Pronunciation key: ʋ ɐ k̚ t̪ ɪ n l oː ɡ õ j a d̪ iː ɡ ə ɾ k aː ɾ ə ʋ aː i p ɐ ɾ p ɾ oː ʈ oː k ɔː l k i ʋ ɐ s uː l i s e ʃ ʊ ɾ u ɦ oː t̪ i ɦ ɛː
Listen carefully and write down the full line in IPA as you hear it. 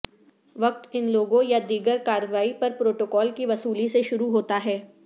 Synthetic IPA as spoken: ʋ ɐ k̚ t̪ ɪ n l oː ɡ õ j a d̪ iː ɡ ə ɾ k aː ɾ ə ʋ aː i p ɐ ɾ p ɾ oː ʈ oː k ɔː l k i ʋ ɐ s uː l i s e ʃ ʊ ɾ u ɦ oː t̪ a ɦ ɛː